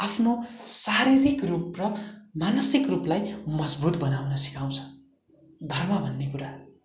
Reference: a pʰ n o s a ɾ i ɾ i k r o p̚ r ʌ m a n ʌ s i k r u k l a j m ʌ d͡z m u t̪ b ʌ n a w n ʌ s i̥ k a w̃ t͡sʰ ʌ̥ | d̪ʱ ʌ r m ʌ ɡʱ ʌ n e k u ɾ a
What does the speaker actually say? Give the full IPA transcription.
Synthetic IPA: a pʰ n o s a ɾ i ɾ i k r u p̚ r ʌ m a n ʌ s i k r u p l a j m ʌ d͡z b u t̪ b ʌ n a w n ʌ s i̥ k a w̃ t͡sʰ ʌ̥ | d̪ʱ ʌ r m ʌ bʱ ʌ nː e k u ɾ a

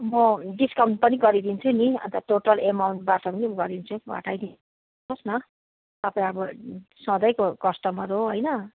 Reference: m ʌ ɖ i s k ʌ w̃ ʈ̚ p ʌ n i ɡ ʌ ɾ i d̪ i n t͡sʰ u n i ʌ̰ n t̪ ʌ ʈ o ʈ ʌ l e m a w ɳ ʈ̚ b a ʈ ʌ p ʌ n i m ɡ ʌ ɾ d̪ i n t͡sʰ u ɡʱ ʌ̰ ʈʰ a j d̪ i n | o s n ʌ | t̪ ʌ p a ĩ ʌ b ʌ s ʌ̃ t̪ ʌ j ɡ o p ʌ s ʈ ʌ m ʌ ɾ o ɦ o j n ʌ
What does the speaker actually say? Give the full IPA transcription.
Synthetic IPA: m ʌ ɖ i s k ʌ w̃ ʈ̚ p ʌ n i ɡ ʌ ɾ i d̪ i n t͡sʰ u n i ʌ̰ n t̪ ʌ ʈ o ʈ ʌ l e m a w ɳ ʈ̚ b a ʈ ʌ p ʌ n i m ɡ ʌ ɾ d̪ i n t͡sʰ u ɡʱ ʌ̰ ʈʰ a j d̪ i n | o s n ʌ | t̪ ʌ p a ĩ ʌ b ʌ s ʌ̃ d̪ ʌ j k o k ʌ s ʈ ʌ m ʌ ɾ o ɦ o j n ʌ

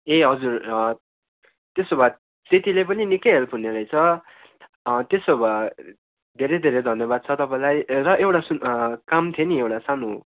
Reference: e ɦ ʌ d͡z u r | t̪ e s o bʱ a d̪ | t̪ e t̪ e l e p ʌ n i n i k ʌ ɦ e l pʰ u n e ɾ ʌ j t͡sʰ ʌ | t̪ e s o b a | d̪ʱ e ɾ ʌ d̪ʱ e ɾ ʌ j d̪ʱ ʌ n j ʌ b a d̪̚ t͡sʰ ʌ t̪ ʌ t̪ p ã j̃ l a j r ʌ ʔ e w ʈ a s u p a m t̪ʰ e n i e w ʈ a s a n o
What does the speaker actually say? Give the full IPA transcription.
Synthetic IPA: e ɦ ʌ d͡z u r | t̪ e s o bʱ a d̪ | t̪ e t̪ i l e p ʌ n i n i k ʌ ɦ e l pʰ u n e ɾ ʌ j t͡sʰ ʌ | t̪ e s o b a | d̪ʱ e ɾ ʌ d̪ʱ e ɾ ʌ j d̪ʱ ʌ n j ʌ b a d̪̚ t͡sʰ ʌ t̪ ʌ p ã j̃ l a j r ʌ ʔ e w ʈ a s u k a m t̪ʰ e n i e w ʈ a s a n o

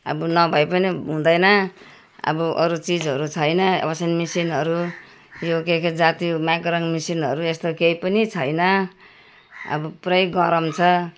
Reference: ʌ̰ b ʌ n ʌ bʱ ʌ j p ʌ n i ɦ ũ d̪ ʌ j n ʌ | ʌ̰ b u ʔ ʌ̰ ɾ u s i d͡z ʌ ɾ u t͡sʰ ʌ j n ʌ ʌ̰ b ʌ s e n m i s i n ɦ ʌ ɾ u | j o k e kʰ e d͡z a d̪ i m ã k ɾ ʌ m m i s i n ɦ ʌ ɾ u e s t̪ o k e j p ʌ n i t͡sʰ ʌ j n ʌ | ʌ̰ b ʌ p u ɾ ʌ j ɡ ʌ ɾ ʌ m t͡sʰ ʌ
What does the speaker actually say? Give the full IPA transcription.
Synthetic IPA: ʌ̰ b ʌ n ʌ bʱ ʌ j p ʌ n i ɦ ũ d̪ ʌ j n ʌ | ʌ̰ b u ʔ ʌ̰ ɾ u t͡s i d͡z ʌ ɾ u t͡sʰ ʌ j n ʌ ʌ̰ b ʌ s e n m i s i n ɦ ʌ ɾ u | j o k e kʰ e d͡z a t̪ i m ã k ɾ ʌ ŋ m i s i n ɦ ʌ ɾ u e s t̪ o k e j p ʌ n i t͡sʰ ʌ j n ʌ | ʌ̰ b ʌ p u ɾ ʌ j ɡ ʌ ɾ ʌ m t͡sʰ ʌ

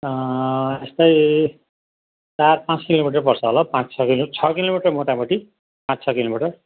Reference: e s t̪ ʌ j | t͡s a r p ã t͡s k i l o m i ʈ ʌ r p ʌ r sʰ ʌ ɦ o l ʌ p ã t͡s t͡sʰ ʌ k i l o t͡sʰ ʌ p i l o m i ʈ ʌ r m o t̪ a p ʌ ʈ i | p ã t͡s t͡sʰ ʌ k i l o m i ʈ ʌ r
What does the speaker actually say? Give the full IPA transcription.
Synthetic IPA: e s t̪ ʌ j | t͡s a r p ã t͡s k i l o m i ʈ ʌ r p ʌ r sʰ ʌ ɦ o l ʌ p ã t͡s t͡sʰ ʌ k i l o t͡sʰ ʌ k i l o m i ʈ ʌ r m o t̪ a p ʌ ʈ i | p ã t͡s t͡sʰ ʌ k i l o m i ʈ ʌ r

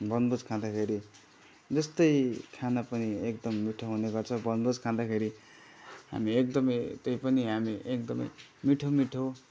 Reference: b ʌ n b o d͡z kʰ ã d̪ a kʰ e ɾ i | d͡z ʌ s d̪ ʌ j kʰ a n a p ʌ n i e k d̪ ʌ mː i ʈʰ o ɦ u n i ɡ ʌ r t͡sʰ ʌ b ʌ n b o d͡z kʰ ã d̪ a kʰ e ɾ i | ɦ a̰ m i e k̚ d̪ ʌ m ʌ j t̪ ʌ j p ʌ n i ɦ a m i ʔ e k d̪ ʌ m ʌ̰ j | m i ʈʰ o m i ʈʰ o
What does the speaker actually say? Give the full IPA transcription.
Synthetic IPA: b ʌ n b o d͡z kʰ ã d̪ a kʰ e ɾ i | d͡z ʌ s t̪ ʌ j kʰ a n a p ʌ n i e k d̪ ʌ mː i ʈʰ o ɦ u n e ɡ ʌ r t͡sʰ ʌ b ʌ n b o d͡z kʰ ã d̪ a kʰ e ɾ i | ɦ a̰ m i e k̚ d̪ ʌ m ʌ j t̪ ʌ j p ʌ n i ɦ a m i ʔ e k d̪ ʌ m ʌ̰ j | m i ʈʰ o m i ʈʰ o

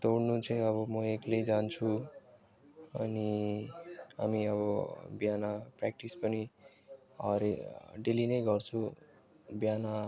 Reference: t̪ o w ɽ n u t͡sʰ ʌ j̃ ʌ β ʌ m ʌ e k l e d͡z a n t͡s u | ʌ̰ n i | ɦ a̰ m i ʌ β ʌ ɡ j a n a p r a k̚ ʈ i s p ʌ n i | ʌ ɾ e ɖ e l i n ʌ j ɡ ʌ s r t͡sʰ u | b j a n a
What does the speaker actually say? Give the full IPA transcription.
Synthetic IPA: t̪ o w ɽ n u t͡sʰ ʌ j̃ ʌ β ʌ m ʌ e k l e d͡z a n t͡sʰ u | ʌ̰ n i | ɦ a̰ m i ʌ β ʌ b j a n a p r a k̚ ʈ i s p ʌ n i | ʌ ɾ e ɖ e l i n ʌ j ɡ ʌ r t͡sʰ u | b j a n a

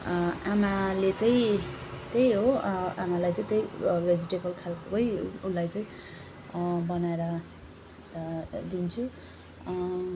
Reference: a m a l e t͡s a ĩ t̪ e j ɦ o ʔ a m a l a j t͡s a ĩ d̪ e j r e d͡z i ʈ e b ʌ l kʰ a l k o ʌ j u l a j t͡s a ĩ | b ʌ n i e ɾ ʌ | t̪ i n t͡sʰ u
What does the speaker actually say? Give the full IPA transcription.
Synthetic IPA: a m a l e t͡s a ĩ t̪ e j ɦ o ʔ a m a l a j t͡s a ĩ t̪ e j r e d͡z i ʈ e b ʌ l kʰ a l k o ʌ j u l a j t͡s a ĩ | b ʌ n a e ɾ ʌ | d̪ i n t͡sʰ u

